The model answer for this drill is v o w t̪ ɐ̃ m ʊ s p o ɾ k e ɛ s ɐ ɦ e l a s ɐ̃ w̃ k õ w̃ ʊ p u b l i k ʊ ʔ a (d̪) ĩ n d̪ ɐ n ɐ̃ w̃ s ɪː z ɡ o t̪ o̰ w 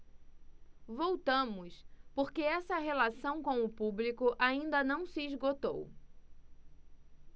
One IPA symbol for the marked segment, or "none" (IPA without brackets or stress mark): none